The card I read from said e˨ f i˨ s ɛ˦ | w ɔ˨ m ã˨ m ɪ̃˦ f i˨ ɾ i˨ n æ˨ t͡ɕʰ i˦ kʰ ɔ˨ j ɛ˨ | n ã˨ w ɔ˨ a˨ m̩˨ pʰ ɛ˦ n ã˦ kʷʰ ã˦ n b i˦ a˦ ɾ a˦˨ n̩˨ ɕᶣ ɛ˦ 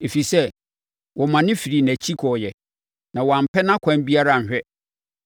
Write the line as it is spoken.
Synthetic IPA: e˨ f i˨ s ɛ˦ | w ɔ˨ m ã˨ n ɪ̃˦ f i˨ ɾ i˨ n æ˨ t͡ɕʰ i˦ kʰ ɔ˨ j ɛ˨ | n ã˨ w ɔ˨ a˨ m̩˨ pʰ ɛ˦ n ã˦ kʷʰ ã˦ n b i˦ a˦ ɾ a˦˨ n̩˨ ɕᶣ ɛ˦